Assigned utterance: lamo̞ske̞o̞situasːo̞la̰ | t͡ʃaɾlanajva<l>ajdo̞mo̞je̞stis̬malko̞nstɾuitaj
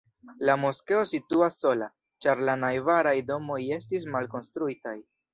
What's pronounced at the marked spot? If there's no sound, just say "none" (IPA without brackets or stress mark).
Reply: ɾ